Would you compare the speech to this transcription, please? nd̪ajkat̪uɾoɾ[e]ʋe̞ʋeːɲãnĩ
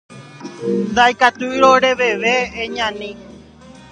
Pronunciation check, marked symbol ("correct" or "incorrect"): correct